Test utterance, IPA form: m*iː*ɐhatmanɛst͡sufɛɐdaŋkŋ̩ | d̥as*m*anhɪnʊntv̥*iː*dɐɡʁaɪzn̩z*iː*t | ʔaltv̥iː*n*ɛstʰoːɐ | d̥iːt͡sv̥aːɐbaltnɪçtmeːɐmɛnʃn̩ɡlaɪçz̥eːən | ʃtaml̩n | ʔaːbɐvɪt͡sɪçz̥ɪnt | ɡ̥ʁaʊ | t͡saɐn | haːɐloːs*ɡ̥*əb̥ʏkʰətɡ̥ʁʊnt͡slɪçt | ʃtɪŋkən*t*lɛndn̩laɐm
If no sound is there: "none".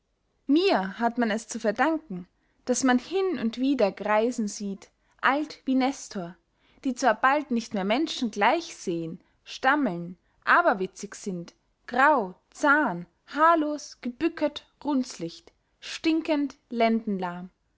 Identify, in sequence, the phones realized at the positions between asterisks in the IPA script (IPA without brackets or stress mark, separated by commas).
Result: iː, m, iː, iː, n, ɡ̥, t